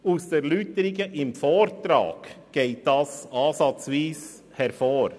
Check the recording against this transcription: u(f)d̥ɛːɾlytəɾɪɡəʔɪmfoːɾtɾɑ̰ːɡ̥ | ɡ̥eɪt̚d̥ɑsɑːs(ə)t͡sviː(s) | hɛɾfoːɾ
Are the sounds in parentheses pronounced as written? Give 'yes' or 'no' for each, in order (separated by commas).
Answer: no, no, yes